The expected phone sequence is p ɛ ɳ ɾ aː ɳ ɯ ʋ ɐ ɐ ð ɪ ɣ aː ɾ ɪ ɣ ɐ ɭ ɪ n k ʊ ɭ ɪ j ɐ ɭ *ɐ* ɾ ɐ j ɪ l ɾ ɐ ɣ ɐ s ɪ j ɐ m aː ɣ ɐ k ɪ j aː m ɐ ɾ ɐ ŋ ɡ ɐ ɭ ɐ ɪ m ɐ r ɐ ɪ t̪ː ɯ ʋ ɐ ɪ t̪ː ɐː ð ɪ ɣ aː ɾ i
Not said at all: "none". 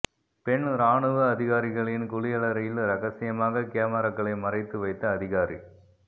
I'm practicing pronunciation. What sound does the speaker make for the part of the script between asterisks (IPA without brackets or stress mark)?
ɐ